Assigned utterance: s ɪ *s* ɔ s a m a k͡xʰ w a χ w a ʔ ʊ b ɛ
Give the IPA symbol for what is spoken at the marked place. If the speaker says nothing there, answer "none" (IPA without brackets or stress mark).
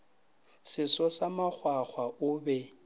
s